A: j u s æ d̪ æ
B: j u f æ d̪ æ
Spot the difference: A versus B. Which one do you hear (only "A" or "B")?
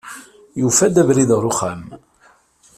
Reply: B